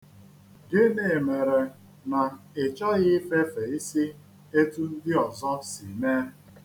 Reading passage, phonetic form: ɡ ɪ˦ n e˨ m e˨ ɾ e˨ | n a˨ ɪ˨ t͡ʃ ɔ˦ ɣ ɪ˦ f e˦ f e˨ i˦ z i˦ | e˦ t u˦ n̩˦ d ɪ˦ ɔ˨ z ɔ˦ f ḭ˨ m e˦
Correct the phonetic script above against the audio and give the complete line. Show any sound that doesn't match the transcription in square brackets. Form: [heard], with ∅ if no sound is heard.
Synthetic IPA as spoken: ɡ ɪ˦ n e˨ m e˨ ɾ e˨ | n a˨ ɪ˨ t͡ʃ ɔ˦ ɣ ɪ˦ f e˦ f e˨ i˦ [s] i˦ | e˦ t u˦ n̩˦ d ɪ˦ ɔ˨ z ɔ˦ [s] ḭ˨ m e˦